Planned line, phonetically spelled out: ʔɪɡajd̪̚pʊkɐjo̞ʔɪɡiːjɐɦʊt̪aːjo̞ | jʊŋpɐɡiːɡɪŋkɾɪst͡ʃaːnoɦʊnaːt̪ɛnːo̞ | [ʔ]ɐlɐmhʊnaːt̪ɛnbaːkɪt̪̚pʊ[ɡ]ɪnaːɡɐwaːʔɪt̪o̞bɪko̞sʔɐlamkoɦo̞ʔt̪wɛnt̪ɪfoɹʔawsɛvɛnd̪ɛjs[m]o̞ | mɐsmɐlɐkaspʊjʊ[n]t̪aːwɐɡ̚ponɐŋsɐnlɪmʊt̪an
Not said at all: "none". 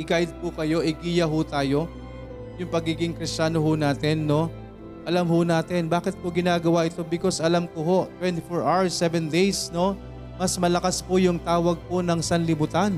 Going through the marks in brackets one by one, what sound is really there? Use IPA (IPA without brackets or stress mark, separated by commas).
ʔ, ɡ, n, ŋ